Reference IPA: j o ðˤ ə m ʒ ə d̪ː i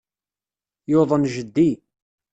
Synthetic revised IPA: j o ðˤ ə n ʒ ə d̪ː i